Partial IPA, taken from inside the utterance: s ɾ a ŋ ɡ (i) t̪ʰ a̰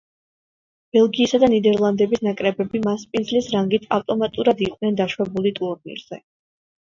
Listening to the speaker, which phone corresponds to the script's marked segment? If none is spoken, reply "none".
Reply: i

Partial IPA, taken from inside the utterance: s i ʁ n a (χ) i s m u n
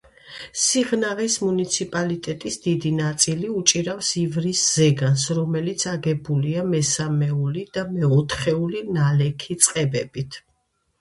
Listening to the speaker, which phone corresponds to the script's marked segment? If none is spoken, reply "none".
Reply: ʁ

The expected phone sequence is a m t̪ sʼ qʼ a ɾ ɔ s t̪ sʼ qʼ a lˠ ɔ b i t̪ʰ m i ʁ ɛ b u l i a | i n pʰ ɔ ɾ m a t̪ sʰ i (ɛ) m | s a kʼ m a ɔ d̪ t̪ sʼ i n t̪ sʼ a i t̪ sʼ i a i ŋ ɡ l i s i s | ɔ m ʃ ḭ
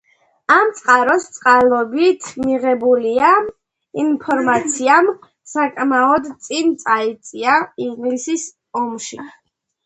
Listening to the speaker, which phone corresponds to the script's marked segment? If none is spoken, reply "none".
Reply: a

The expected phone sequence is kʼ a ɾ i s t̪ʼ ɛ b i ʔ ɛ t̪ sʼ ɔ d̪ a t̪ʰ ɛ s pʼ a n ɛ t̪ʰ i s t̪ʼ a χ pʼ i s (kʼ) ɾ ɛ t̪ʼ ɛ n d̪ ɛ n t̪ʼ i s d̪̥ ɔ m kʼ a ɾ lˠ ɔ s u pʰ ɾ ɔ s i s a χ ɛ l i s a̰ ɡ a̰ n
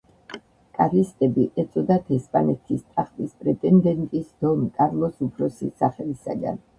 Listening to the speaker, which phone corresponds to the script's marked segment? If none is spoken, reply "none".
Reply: pʼ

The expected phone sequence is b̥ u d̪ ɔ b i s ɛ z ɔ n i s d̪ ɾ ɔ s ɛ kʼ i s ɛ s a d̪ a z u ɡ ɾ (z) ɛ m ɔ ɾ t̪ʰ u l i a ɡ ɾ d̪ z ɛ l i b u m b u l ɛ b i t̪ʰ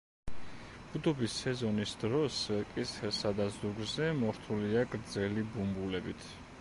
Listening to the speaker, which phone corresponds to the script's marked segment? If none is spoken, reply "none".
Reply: z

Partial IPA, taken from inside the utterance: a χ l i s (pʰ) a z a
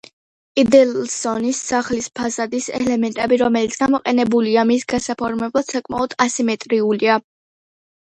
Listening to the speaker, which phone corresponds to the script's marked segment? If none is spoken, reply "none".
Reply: pʰ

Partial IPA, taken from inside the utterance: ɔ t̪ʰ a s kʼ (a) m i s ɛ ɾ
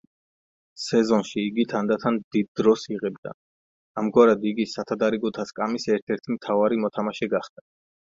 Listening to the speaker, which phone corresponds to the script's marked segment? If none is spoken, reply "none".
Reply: a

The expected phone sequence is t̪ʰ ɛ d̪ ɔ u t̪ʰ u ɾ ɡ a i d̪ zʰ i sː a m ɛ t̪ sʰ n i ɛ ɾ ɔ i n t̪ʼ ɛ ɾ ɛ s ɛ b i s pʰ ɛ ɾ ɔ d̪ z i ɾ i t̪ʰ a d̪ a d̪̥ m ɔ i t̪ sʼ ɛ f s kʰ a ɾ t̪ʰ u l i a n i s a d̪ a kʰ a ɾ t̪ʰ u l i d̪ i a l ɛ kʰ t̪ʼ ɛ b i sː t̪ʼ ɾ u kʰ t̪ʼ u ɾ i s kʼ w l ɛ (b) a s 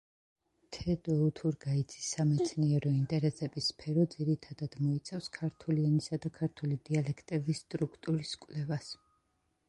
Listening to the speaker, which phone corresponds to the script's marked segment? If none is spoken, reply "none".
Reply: v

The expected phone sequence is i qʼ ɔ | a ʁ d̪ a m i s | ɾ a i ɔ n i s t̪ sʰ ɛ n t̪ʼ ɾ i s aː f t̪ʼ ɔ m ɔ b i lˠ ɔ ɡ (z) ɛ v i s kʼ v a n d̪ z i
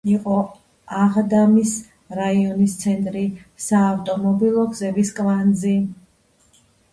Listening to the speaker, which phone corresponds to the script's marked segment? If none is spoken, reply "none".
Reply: z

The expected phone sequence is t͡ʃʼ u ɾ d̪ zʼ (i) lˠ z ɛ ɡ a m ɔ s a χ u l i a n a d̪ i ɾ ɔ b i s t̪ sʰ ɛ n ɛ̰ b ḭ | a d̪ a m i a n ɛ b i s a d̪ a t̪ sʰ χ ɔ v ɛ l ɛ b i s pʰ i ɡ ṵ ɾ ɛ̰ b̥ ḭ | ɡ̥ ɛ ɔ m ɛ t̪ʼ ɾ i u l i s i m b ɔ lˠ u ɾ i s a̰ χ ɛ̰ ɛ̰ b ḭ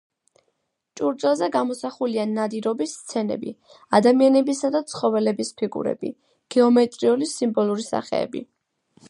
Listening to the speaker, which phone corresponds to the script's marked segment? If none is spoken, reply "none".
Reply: ɛ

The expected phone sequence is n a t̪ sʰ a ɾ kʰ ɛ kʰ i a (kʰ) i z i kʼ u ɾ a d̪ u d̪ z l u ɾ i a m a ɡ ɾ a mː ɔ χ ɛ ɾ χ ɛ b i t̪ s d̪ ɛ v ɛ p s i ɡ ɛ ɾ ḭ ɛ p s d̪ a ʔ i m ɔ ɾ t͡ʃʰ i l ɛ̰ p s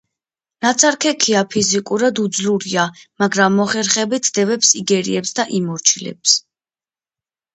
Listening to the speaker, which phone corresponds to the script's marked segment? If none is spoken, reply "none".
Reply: pʰ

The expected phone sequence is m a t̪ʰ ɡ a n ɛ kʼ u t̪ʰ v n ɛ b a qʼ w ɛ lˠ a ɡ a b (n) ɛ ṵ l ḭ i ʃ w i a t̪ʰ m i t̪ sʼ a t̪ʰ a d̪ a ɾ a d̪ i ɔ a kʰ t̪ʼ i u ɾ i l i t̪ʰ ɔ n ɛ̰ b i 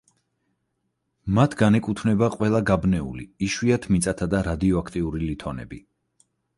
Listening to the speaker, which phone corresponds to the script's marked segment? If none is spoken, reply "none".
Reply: n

